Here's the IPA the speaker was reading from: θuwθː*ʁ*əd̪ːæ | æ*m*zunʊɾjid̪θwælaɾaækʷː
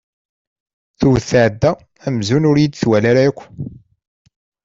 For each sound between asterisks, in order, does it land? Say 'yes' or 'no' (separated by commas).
no, yes